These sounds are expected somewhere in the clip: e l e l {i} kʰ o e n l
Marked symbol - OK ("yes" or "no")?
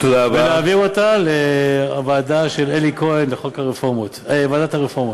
yes